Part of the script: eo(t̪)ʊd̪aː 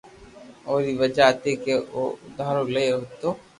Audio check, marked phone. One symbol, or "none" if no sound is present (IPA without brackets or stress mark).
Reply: none